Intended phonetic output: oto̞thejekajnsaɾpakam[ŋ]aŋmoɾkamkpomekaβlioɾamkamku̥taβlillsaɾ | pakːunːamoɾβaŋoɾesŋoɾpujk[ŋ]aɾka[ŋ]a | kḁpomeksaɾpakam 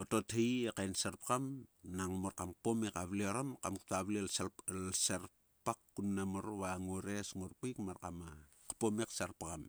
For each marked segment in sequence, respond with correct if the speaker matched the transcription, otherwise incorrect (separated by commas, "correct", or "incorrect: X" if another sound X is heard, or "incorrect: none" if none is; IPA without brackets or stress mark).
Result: incorrect: n, incorrect: m, incorrect: m